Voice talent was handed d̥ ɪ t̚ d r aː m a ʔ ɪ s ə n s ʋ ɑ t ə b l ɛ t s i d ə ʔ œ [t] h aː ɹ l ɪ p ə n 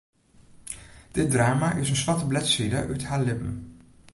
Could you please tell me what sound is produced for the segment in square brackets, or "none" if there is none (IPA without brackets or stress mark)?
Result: t